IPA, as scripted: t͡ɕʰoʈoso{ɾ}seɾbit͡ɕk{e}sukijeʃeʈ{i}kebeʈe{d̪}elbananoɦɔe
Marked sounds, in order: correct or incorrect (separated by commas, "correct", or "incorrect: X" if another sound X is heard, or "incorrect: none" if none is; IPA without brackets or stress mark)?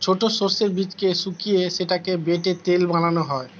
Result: correct, correct, incorrect: a, incorrect: t̪